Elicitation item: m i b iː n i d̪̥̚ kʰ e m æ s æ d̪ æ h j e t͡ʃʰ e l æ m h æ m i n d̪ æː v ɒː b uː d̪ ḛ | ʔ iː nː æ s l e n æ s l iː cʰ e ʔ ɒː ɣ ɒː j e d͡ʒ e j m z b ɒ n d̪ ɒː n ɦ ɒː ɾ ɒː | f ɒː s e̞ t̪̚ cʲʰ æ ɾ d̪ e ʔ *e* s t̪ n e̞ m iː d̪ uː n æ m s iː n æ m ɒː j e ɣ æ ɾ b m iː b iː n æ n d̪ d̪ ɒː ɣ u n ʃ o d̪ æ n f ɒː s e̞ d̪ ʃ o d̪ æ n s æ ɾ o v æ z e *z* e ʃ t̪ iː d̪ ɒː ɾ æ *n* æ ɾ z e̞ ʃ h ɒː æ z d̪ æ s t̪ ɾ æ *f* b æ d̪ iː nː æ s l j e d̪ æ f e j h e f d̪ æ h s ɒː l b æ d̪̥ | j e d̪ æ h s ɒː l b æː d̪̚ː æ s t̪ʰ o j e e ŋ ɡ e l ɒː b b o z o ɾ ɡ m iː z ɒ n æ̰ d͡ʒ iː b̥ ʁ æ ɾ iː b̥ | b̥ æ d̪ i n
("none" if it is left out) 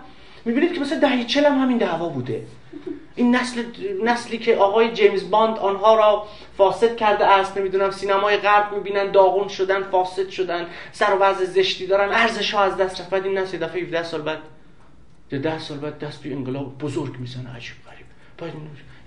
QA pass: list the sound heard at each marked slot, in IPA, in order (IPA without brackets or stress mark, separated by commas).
æ, z, n, f